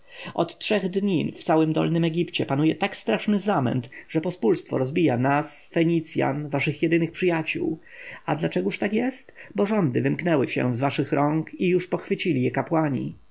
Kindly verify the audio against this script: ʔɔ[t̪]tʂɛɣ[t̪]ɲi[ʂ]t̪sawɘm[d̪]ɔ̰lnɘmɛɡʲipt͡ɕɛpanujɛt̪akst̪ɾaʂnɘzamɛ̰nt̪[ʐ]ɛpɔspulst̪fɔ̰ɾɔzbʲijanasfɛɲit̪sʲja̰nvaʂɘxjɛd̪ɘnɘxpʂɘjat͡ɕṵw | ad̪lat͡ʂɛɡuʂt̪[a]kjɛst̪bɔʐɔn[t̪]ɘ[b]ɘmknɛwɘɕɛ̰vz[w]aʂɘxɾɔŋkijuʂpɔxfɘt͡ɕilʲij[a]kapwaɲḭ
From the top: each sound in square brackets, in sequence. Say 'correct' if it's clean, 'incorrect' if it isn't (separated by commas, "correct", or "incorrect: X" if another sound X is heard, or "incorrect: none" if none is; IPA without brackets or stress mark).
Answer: correct, incorrect: d̪, incorrect: f, correct, correct, correct, incorrect: d̪, incorrect: v, incorrect: v, incorrect: ɛ